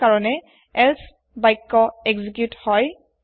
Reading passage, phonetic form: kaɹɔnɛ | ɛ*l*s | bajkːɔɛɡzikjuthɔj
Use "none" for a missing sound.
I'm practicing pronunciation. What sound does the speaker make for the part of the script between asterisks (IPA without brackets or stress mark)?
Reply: l